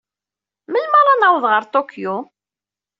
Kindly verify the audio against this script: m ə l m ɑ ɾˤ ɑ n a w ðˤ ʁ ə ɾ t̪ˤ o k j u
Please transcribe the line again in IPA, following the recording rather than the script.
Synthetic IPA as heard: m ə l m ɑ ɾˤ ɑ n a w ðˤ ʁ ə ɾ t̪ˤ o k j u